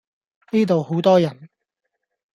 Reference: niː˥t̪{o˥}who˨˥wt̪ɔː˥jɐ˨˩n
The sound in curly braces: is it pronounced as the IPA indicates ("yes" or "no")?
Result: no